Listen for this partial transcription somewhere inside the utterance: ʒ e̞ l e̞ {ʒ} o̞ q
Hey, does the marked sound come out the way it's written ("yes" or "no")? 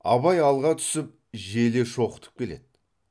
no